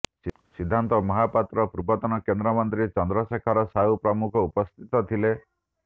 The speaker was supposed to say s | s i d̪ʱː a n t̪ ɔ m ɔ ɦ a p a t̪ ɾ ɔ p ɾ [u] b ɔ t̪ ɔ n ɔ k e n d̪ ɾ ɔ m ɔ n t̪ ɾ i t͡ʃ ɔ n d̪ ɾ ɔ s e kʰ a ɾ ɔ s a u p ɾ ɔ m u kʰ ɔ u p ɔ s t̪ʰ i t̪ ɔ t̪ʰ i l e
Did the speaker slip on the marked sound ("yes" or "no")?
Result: no